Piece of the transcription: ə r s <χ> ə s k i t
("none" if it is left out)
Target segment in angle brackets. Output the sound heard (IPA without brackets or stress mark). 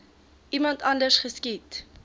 χ